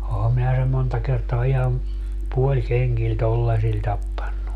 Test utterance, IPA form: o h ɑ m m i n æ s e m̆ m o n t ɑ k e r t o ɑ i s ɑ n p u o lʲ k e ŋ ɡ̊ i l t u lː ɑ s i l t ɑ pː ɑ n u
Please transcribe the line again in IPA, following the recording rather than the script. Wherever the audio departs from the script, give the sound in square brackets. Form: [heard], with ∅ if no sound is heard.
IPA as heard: o h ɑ m m i n æ s e m̆ m o n t ɑ k e r t o ɑ i [h] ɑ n p u o lʲ k e ŋ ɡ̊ i l t [o] lː ɑ s i l t ɑ pː ɑ [nː] u